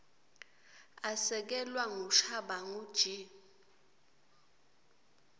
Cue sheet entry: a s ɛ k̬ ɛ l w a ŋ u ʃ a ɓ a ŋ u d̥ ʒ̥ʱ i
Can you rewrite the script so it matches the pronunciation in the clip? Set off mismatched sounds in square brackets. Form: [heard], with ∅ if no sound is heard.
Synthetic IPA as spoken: a s ɛ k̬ ɛ l w a ŋ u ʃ a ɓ a ŋ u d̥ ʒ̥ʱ i